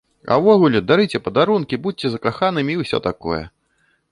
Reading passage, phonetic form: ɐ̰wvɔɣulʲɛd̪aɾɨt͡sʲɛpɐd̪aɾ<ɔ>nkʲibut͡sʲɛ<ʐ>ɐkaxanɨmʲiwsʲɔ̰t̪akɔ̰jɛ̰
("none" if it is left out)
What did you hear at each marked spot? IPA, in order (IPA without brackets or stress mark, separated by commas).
u, z